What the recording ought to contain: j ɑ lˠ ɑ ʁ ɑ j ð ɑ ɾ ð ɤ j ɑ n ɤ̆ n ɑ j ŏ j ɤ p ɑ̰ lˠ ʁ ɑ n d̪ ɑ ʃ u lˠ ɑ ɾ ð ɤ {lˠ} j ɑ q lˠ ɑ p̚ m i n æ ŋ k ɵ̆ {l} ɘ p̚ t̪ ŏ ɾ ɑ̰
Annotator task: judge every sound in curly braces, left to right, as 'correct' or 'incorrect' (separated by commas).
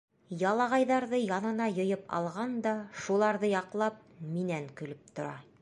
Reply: incorrect, correct